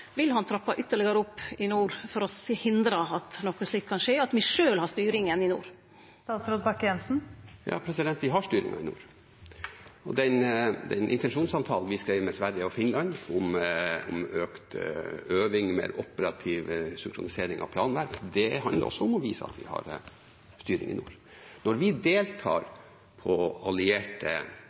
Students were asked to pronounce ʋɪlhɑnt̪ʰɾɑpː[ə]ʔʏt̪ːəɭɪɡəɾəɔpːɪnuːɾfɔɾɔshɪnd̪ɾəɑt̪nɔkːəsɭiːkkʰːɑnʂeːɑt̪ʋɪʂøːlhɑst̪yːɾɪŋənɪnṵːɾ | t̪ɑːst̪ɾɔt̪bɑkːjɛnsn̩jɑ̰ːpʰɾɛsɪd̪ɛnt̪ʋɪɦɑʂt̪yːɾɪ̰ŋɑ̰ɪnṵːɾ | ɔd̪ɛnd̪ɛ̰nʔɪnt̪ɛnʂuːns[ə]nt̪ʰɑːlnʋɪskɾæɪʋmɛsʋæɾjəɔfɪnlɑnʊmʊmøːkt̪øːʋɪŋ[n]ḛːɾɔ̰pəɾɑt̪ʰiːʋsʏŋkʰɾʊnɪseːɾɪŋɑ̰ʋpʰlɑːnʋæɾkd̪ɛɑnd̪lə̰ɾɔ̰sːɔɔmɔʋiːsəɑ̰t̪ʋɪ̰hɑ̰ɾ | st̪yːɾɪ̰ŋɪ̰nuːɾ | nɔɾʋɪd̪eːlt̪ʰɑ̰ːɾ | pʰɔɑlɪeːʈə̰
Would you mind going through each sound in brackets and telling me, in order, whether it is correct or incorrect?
incorrect, incorrect, incorrect

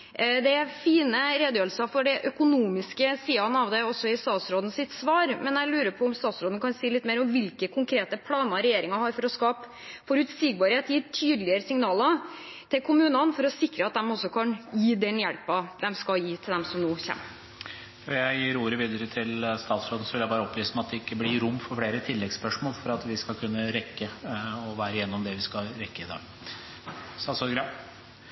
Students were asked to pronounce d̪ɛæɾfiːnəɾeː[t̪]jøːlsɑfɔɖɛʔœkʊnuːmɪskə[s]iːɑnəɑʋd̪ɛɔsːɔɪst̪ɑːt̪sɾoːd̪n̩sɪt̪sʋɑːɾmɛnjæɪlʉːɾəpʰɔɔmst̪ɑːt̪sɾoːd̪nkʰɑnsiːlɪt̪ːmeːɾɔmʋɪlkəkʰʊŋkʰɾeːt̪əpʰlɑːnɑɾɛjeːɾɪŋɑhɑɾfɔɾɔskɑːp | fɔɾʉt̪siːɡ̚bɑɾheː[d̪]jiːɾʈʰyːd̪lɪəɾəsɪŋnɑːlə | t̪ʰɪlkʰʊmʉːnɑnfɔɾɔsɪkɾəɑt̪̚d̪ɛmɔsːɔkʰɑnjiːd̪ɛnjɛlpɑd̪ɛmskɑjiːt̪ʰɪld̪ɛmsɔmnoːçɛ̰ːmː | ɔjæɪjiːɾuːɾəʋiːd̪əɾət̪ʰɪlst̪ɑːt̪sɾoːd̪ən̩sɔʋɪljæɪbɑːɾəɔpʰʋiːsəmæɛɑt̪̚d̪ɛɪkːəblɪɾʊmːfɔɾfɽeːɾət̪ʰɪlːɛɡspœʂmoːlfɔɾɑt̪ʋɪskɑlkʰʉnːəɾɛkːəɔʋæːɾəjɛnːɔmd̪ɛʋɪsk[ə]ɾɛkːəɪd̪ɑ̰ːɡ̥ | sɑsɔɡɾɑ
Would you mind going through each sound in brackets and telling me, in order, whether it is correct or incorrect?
incorrect, correct, incorrect, incorrect

